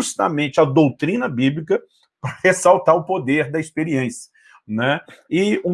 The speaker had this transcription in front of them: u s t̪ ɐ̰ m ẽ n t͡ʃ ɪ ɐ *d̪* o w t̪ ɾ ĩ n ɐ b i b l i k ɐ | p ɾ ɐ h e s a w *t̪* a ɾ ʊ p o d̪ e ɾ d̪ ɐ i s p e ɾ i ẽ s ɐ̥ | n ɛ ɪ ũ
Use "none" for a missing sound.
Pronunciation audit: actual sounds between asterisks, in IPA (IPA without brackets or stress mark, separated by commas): d̪, t̪